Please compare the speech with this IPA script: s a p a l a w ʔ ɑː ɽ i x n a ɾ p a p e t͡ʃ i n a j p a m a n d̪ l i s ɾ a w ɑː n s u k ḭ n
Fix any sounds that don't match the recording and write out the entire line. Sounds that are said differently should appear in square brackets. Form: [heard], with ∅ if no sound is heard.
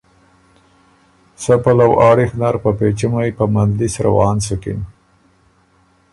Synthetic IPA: s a p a l a w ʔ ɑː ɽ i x n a ɾ p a p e t͡ʃ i [m] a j p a m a n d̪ l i s ɾ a w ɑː n s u k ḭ n

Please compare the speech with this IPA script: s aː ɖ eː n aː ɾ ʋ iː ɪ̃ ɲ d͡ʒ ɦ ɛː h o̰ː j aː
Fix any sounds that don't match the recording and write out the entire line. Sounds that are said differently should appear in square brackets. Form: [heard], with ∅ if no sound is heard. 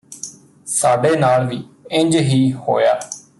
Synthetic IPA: s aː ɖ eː n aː [l] ʋ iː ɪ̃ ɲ d͡ʒ ɦ [iː] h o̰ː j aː

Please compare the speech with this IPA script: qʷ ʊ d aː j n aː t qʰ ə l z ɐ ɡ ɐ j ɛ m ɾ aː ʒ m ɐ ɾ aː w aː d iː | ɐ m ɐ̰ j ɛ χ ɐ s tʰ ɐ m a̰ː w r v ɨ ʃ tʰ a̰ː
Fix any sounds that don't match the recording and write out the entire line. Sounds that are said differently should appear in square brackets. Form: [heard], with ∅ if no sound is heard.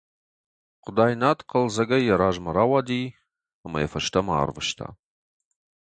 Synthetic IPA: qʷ ʊ d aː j n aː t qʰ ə l z ɐ ɡ ɐ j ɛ [∅] ɾ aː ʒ m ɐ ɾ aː w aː d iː | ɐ m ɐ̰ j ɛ [f] ɐ [ʃ] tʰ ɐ m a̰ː [∅] r v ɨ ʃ tʰ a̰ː

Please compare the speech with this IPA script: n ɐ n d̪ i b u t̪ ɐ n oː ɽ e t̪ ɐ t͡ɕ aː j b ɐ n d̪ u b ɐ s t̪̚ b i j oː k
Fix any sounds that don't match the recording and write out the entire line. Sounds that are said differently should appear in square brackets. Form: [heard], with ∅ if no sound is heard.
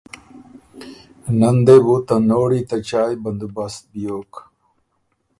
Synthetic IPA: n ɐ n d̪ [e] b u t̪ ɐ n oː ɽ [i] t̪ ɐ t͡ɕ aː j b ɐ n d̪ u b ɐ s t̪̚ b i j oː k

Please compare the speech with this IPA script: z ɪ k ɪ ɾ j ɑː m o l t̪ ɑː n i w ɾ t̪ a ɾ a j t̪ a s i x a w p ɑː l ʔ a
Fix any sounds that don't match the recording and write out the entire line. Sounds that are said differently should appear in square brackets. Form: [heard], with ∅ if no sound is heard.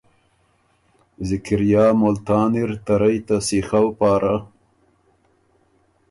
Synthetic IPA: z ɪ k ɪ ɾ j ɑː m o l t̪ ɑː n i [∅] ɾ t̪ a ɾ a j t̪ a s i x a w p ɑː [ɾ] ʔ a

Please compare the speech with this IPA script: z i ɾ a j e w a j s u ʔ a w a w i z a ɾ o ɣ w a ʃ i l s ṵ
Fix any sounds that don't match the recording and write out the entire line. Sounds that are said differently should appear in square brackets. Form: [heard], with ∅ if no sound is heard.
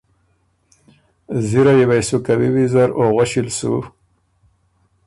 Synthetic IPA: z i ɾ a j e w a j s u [k] a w [i] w i z a ɾ o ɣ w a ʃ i l s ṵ

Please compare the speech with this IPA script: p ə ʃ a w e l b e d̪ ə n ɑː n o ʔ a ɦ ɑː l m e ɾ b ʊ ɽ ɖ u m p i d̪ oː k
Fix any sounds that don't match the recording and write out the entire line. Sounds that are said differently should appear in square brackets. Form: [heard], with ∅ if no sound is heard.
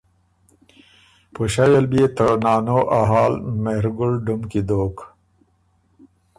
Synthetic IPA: p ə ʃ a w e l b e [t̪] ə n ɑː n o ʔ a ɦ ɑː l m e ɾ [ɡ] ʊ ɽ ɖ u m [k] i d̪ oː k

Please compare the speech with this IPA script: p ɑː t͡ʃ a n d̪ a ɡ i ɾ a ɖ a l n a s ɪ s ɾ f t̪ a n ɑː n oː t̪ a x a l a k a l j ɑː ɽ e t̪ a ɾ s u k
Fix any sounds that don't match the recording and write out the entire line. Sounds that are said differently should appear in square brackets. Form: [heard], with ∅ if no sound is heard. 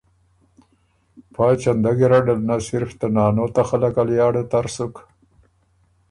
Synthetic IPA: p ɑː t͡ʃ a n d̪ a ɡ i ɾ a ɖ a l n a s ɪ [∅] ɾ f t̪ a n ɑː n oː t̪ a x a l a k a l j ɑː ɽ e t̪ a ɾ s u k

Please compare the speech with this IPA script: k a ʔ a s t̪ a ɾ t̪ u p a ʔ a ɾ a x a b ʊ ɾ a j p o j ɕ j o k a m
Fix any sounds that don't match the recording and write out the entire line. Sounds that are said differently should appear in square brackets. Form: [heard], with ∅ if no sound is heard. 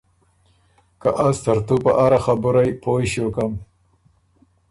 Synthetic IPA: k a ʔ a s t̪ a ɾ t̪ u p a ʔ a ɾ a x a b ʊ ɾ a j p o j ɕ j o k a m

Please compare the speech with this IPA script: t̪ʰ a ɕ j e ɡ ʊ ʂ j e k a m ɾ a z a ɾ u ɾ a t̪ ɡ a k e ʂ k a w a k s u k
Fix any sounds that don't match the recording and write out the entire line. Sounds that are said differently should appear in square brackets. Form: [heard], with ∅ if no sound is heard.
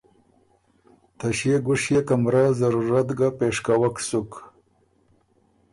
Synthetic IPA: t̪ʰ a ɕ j e ɡ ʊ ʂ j e k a m ɾ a z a ɾ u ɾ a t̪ ɡ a [p] e ʂ k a w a k s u k

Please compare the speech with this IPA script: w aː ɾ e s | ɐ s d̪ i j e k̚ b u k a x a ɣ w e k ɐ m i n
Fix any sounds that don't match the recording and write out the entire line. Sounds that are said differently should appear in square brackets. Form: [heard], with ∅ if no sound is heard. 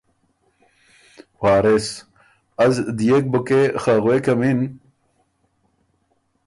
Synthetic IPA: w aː ɾ e s | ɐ [z] d̪ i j e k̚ b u k [e] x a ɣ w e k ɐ m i n

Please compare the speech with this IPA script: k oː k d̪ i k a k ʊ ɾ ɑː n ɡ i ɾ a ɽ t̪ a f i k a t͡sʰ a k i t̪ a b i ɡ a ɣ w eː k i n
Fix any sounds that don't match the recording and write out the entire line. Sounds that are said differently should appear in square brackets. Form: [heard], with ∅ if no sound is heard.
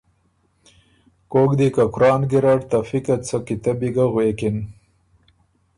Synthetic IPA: k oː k d̪ i k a k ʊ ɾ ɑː n ɡ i ɾ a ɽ t̪ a f i k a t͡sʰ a k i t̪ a b i ɡ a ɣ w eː k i n

